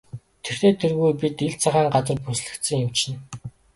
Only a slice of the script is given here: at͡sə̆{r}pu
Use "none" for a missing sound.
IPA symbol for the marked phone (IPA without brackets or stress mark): r